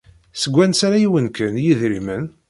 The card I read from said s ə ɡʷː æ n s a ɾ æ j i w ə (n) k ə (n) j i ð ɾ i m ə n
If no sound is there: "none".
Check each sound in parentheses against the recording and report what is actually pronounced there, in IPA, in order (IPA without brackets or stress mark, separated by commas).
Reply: n, n